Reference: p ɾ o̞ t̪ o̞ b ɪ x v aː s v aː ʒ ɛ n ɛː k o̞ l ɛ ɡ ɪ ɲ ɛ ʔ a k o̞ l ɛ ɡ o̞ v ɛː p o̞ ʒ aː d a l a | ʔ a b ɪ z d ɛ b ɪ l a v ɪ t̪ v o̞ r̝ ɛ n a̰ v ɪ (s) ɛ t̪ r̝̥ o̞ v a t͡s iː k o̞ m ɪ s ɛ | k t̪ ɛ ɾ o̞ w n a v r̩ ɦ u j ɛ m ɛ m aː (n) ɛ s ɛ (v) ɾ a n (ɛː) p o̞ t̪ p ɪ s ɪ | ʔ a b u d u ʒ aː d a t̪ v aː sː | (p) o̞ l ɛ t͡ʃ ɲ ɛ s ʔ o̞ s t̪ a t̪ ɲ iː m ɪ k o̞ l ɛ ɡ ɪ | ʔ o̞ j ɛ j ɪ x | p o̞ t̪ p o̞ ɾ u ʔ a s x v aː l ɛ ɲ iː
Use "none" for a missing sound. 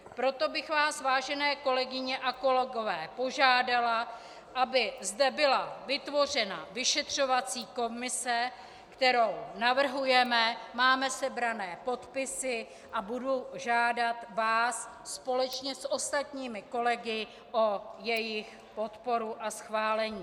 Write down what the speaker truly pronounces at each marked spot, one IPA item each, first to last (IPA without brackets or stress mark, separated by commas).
ʃ, m, b, ɛː, p